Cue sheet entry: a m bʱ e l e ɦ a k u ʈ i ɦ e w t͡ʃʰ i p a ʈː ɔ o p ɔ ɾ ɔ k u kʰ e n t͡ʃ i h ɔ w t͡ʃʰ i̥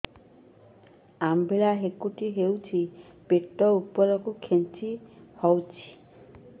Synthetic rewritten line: a m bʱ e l a ɦ e k u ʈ i ɦ e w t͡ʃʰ i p e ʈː ɔ u p ɔ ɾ ɔ k u kʰ e n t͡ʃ i h ɔ w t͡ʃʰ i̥